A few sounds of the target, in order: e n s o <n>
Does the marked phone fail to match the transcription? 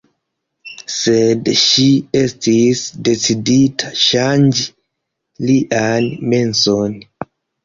no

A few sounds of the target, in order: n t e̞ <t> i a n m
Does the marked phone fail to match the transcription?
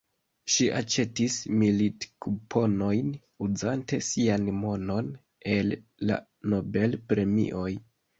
yes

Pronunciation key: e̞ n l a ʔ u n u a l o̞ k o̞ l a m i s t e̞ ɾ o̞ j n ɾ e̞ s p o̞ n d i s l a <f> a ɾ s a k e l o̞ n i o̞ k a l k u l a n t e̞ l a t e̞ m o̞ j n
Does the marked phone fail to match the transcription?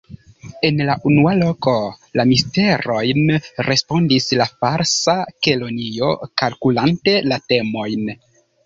no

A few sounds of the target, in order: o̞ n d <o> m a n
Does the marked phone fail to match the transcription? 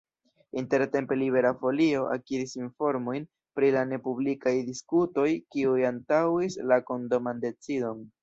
no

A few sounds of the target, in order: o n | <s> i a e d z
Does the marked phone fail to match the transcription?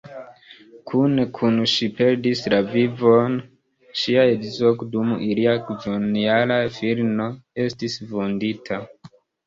yes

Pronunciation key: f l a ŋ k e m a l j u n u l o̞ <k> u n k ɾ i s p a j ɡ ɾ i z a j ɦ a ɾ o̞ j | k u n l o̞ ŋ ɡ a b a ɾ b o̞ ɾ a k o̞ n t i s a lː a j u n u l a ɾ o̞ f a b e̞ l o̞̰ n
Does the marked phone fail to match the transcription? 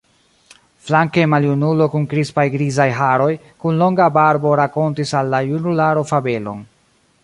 no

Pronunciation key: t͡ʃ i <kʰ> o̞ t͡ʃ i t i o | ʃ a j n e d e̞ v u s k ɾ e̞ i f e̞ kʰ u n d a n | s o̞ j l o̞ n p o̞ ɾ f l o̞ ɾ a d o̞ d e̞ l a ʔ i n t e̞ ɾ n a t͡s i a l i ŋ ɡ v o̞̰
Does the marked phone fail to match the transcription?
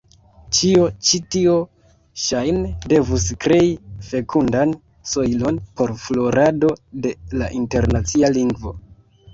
yes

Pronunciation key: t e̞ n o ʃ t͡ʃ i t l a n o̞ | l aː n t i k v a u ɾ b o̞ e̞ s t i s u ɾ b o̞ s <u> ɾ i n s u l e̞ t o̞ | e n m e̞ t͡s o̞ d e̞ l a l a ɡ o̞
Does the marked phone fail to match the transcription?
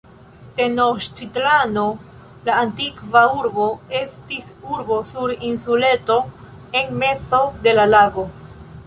no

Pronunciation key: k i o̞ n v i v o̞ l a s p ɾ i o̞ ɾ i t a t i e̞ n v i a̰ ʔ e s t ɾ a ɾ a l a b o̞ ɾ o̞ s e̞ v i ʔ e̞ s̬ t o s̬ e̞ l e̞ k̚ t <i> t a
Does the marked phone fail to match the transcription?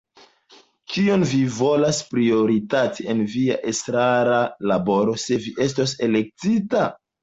no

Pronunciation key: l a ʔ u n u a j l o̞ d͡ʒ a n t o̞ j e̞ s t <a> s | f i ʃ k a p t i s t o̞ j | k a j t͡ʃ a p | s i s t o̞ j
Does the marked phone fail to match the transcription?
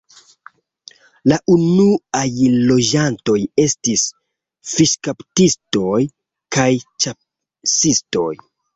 yes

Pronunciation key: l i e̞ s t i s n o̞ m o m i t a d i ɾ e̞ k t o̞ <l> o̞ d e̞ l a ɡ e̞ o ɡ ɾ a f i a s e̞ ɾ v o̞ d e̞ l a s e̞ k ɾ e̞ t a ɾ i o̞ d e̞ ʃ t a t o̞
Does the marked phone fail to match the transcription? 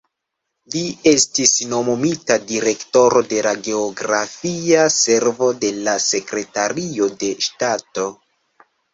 yes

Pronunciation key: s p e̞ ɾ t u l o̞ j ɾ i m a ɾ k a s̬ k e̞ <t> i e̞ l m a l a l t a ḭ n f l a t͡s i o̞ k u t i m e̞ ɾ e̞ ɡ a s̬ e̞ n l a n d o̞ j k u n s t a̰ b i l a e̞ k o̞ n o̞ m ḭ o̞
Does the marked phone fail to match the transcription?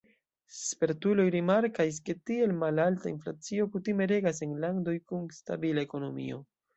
no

